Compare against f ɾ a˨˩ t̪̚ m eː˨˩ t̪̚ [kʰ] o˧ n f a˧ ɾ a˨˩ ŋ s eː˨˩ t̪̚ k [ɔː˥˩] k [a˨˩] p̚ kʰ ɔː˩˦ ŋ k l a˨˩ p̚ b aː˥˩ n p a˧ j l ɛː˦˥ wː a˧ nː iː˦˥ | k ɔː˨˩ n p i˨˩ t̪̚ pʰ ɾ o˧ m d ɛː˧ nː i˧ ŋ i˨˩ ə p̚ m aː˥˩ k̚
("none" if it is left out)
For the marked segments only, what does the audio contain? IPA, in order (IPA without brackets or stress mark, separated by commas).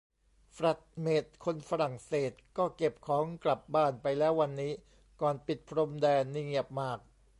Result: kʰ, ɔː˥˩, e˨˩